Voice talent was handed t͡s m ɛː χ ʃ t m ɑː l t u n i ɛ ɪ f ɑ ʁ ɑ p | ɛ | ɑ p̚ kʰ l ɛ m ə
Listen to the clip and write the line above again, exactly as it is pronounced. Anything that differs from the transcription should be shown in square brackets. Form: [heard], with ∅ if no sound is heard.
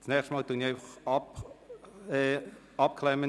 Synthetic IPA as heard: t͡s [n] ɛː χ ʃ t m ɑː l t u n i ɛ ɪ f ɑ [χ] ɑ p | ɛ | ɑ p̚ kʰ l ɛ m ə